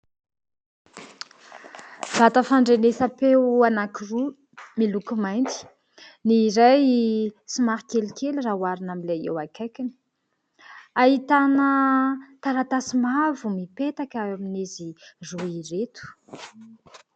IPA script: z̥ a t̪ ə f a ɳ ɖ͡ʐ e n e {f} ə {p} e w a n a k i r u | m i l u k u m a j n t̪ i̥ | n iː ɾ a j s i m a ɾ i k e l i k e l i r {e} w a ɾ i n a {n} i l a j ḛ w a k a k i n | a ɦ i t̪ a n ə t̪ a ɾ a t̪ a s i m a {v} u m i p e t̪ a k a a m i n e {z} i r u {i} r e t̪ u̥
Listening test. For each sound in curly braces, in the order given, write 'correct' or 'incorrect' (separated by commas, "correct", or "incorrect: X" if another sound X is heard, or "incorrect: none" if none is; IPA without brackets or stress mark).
incorrect: s, correct, incorrect: a, incorrect: m, correct, correct, correct